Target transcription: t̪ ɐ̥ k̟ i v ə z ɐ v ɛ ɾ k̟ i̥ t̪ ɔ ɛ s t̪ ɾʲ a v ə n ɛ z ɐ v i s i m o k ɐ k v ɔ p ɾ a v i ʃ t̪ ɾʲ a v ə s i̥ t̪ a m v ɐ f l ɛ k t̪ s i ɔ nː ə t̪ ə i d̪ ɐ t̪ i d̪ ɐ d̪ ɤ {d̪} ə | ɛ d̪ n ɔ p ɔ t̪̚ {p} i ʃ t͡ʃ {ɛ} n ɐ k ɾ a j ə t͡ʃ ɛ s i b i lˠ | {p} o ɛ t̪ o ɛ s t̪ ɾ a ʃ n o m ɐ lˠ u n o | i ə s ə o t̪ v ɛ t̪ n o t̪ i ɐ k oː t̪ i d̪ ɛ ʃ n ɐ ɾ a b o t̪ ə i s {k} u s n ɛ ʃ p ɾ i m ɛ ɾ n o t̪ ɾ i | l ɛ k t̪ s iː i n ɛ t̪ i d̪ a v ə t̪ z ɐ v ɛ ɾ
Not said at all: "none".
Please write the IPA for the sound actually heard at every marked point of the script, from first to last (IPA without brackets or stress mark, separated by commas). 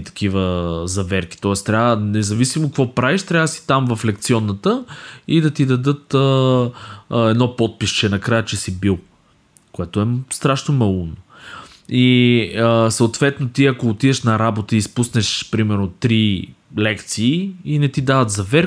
t̪, p, ɛ, k, p